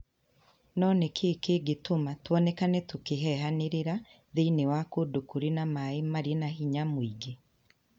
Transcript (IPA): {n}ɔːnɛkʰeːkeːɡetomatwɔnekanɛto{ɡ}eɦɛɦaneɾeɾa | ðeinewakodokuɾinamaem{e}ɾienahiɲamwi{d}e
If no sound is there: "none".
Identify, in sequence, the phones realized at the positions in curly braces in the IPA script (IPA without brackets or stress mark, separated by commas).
n, k, a, ɡ